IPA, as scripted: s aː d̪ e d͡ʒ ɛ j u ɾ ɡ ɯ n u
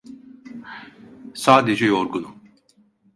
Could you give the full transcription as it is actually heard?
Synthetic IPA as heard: s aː d̪ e d͡ʒ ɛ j o ɾ ɡ u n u

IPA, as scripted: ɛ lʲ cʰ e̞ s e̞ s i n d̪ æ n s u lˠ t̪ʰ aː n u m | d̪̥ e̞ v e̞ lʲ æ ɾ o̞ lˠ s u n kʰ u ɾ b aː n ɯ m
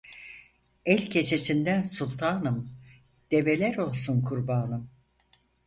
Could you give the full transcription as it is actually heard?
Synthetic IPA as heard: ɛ lʲ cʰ e̞ s e̞ s i n d̪ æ n s u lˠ t̪ʰ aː n ɯ m | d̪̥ e̞ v e̞ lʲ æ ɾ o̞ lˠ s u n kʰ u ɾ b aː n ɯ m

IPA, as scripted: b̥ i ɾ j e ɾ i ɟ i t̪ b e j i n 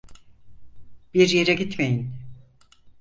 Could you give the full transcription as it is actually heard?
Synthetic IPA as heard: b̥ i ɾ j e ɾ ɛ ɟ i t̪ m e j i n

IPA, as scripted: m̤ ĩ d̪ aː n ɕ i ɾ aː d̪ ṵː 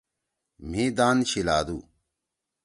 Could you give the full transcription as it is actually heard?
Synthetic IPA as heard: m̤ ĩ d̪ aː n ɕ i l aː d̪ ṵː

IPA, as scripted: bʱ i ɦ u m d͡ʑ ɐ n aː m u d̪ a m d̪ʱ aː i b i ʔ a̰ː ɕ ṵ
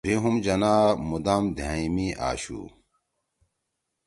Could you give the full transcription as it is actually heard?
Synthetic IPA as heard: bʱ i ɦ u m d͡ʑ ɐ n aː m u d̪ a m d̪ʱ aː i m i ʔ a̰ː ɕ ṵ

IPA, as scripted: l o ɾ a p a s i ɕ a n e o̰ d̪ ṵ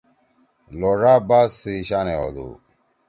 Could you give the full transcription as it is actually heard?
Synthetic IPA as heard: l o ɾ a b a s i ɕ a n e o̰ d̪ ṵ

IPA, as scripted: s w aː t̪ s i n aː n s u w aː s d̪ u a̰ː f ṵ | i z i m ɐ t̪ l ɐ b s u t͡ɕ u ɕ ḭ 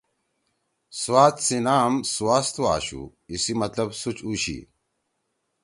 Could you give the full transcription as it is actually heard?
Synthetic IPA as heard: s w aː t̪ s i n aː m s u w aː s t̪ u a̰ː ɕ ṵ | i s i m ɐ t̪ l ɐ b s u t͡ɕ u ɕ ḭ

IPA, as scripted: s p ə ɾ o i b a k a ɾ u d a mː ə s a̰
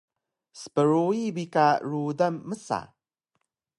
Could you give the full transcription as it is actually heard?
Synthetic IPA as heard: s p ə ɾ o i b i k a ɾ u d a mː ə s a̰

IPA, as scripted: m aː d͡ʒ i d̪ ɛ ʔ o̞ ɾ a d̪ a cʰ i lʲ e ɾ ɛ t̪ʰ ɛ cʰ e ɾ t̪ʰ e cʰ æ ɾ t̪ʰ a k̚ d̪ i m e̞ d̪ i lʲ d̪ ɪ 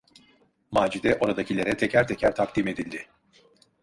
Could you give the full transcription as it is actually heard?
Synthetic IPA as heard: m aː d͡ʒ i d̪ ɛ ʔ o̞ ɾ a d̪ a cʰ i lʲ e ɾ ɛ t̪ʰ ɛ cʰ æ ɾ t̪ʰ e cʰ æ ɾ t̪ʰ a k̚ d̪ i m e̞ d̪ i lʲ d̪ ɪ

